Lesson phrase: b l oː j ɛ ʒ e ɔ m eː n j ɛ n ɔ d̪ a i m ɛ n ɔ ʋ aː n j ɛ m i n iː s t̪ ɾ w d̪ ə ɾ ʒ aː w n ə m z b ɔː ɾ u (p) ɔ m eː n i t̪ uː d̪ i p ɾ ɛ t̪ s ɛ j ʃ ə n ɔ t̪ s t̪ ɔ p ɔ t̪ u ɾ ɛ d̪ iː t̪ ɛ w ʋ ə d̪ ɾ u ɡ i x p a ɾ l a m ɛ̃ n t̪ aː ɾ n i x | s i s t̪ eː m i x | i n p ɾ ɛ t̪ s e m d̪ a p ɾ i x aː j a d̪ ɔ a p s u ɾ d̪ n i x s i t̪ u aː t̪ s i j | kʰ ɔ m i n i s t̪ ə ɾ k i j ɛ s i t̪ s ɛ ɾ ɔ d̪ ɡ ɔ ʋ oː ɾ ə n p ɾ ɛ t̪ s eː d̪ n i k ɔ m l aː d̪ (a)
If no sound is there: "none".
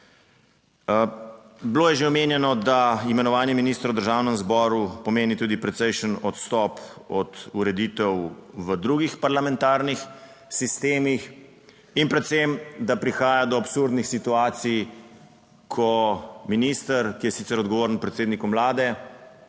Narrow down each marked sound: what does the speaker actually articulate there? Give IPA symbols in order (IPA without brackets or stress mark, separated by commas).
p, ɛ